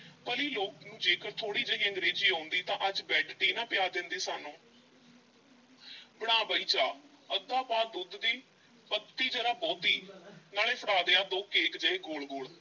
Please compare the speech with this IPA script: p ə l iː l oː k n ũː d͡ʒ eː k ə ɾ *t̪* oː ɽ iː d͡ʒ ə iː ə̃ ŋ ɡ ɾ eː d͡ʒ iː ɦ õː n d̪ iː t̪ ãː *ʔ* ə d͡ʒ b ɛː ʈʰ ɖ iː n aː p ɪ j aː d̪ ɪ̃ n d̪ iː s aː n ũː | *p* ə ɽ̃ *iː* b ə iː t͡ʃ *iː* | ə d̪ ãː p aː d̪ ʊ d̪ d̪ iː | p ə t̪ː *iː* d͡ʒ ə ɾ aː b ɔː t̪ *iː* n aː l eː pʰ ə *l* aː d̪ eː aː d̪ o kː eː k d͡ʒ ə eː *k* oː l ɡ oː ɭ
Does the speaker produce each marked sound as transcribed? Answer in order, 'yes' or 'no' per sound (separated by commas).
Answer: no, yes, no, no, no, yes, yes, no, no